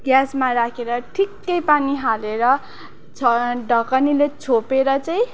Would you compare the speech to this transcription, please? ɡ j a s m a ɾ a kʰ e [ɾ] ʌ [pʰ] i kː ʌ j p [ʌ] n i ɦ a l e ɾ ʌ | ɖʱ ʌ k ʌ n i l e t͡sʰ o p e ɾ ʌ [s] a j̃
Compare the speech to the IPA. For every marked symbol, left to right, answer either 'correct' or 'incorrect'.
correct, incorrect, incorrect, incorrect

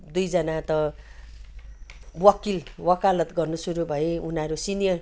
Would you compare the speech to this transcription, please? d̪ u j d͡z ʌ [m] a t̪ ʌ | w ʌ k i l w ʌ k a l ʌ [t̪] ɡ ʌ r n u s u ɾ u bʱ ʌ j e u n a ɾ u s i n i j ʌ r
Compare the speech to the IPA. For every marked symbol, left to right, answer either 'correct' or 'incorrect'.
incorrect, correct

